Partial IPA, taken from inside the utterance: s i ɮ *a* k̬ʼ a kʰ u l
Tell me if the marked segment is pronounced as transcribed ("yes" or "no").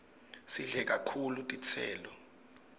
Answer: no